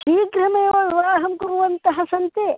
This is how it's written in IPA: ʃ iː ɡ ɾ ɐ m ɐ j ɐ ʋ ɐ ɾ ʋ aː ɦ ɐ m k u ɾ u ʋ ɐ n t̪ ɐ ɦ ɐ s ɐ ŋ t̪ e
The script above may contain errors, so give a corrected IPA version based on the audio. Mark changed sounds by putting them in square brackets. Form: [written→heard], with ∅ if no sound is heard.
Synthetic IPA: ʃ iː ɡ ɾ ɐ m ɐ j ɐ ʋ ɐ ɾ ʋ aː ɦ ɐ m k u ɾ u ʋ ɐ n t̪ ɐ ɦ ɐ s ɐ [ŋ→n] t̪ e

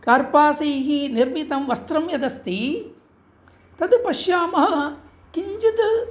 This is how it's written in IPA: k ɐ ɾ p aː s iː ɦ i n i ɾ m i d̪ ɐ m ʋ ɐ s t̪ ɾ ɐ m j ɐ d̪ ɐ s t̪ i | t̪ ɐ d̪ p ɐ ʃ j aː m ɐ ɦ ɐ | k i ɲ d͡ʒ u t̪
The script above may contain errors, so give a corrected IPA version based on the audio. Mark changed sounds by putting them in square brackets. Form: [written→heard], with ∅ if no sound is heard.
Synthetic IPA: k ɐ ɾ p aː s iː ɦ i n i ɾ m i [d̪→t̪] ɐ m ʋ ɐ s t̪ ɾ ɐ m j ɐ d̪ ɐ s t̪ i | t̪ ɐ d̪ p ɐ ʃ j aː m ɐ ɦ ɐ | k i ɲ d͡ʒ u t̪

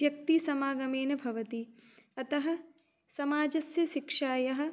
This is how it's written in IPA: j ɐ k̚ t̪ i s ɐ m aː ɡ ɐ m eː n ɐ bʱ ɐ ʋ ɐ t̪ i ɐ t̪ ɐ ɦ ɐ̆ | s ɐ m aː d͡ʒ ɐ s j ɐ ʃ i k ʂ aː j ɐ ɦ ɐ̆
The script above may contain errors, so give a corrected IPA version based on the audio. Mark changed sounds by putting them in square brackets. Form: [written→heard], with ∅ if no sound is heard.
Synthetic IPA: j ɐ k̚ t̪ i s ɐ m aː ɡ ɐ m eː n ɐ bʱ ɐ ʋ ɐ t̪ i ɐ t̪ ɐ ɦ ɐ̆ | s ɐ m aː d͡ʒ ɐ s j ɐ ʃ i k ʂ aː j ɐ ɦ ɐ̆

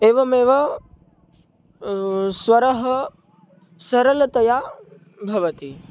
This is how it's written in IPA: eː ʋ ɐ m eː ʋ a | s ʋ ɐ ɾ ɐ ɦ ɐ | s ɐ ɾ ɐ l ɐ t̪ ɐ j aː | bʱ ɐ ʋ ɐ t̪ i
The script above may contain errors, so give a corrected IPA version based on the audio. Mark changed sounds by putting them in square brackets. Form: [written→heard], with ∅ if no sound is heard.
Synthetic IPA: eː ʋ ɐ m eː ʋ [a→ɐ] | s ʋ ɐ ɾ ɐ ɦ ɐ | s ɐ ɾ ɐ l ɐ t̪ ɐ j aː | bʱ ɐ ʋ ɐ t̪ i

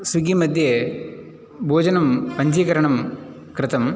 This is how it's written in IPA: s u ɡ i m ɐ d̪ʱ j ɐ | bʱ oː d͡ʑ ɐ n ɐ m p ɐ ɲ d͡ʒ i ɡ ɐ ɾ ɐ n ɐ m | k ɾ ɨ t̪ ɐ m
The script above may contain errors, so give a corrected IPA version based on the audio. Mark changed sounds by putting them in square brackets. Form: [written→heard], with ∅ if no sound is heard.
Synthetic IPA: s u ɡ i m ɐ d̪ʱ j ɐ | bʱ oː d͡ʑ ɐ n ɐ m p ɐ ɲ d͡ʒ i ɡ ɐ ɾ ɐ [n→ɳ] ɐ m | k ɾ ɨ t̪ ɐ m

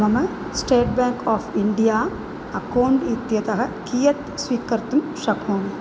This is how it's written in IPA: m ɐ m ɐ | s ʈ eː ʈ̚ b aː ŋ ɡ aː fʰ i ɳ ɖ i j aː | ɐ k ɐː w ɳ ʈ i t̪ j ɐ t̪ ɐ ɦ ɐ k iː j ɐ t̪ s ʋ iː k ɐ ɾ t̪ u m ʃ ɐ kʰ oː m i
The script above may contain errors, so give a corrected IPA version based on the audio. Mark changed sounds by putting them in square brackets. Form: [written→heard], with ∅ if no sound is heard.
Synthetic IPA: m ɐ m ɐ | s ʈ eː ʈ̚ b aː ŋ [ɡ→k] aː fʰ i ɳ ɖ i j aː | ɐ k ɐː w ɳ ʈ i t̪ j ɐ t̪ ɐ ɦ ɐ k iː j ɐ t̪ s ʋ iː k ɐ ɾ t̪ u m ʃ ɐ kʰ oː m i

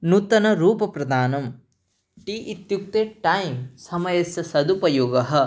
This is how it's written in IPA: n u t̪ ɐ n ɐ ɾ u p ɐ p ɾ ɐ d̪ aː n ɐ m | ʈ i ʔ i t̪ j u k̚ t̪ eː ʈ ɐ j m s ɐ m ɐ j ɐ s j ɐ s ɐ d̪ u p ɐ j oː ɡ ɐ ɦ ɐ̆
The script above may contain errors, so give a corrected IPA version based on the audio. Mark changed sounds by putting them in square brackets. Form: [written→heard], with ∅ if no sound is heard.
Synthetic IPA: n u t̪ ɐ n ɐ ɾ [u→uː] p ɐ p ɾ ɐ d̪ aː n ɐ m | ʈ i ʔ i t̪ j u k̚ t̪ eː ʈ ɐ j m s ɐ m ɐ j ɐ s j ɐ s ɐ d̪ u p ɐ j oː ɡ ɐ ɦ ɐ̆

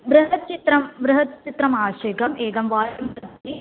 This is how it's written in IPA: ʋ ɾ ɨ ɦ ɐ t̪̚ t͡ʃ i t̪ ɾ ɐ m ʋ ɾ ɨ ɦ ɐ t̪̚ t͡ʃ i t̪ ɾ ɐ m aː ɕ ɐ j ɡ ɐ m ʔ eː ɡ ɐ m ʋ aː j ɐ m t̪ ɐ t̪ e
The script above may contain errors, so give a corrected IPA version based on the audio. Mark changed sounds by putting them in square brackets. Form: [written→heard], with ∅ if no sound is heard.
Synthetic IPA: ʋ ɾ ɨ ɦ ɐ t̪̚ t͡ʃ i t̪ ɾ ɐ m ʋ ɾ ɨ ɦ ɐ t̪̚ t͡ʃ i t̪ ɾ ɐ m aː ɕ ɐ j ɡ ɐ m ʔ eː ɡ ɐ m ʋ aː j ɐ m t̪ ɐ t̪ [e→i]

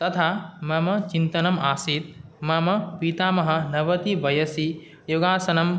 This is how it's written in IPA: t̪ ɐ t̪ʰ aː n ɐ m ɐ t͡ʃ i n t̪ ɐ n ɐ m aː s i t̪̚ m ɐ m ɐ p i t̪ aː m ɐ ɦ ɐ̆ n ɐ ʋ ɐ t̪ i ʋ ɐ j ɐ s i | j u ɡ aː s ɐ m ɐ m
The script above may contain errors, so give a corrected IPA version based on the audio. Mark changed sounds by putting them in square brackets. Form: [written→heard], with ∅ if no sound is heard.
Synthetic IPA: t̪ ɐ t̪ʰ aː [n→m] ɐ m ɐ t͡ʃ i n t̪ ɐ n ɐ m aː s i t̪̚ m ɐ m ɐ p i t̪ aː m ɐ ɦ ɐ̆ n ɐ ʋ ɐ t̪ i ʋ ɐ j ɐ s i | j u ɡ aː s ɐ [m→n] ɐ m

